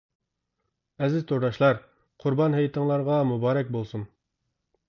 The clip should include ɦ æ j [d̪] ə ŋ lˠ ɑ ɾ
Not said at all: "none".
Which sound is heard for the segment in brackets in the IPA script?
t̪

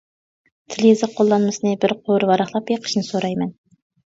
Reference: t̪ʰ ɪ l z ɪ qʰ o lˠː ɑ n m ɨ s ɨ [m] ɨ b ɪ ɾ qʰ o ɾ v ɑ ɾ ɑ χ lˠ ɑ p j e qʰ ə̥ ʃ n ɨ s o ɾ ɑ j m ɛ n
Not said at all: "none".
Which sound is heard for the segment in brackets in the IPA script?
n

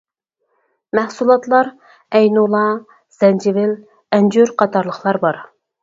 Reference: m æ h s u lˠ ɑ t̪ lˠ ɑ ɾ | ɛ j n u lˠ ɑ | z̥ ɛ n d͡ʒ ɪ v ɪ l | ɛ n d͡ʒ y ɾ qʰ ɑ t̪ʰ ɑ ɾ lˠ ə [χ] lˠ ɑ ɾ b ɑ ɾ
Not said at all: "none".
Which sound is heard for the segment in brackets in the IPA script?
χ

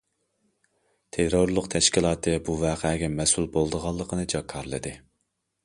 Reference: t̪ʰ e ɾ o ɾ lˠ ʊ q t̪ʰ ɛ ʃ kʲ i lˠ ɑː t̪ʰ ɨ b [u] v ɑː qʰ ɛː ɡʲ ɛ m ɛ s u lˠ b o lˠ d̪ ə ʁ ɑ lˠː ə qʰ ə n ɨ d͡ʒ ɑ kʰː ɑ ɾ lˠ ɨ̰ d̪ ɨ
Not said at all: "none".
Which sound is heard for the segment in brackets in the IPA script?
u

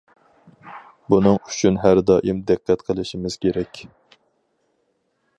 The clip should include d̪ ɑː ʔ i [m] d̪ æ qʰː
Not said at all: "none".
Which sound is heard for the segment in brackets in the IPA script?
m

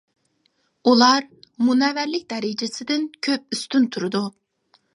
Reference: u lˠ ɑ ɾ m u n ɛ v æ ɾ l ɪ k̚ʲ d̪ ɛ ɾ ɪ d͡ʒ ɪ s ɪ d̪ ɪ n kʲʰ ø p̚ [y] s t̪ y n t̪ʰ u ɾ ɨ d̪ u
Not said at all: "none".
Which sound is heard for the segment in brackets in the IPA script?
y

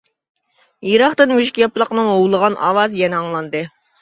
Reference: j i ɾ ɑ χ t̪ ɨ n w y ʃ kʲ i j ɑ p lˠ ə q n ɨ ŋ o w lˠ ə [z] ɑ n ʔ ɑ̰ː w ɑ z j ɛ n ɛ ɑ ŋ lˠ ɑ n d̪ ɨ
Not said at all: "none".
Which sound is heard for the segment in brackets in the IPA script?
ʁ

